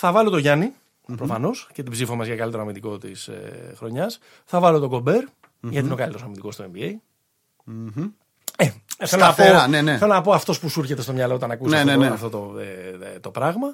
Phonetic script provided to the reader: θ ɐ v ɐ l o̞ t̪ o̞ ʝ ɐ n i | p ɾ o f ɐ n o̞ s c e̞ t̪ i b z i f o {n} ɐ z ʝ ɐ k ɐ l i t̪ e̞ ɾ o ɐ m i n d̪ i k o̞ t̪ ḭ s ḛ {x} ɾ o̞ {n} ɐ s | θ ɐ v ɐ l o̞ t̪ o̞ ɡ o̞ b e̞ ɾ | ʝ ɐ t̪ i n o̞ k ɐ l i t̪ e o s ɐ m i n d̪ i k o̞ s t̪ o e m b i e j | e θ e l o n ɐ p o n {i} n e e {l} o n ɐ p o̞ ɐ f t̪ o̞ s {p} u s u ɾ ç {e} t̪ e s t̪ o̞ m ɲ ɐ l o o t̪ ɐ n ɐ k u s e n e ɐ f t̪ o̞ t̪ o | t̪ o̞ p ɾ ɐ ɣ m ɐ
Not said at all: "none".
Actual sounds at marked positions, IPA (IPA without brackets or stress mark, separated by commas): m, x, ɲ, e, l, p, e